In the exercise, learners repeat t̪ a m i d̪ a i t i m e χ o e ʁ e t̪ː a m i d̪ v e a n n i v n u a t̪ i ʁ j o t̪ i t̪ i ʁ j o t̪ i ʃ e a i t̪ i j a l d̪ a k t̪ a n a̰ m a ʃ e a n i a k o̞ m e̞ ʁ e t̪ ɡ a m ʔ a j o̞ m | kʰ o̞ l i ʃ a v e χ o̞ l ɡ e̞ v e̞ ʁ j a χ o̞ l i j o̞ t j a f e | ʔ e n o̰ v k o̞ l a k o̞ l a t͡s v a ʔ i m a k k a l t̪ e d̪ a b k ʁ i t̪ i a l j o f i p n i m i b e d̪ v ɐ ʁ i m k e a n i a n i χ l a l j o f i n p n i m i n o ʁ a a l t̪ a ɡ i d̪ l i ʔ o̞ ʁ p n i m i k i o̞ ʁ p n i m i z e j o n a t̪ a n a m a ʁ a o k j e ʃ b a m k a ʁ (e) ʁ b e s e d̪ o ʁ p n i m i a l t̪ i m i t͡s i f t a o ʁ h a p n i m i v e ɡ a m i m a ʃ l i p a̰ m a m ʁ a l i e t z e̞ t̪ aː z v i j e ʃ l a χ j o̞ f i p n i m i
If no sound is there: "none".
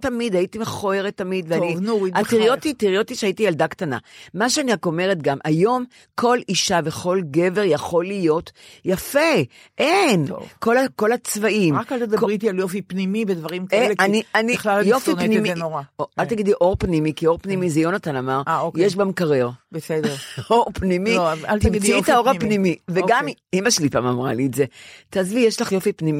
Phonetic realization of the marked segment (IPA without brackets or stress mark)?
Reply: e